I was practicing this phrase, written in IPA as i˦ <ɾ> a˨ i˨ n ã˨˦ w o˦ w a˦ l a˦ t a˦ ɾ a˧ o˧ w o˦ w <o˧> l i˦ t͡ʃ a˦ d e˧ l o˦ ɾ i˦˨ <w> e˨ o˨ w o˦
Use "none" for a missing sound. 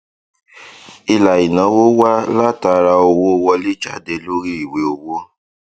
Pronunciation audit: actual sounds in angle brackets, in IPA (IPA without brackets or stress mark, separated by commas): l, ɔ˧, w